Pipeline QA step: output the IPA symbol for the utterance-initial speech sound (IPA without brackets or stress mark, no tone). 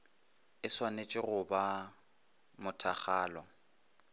ɪ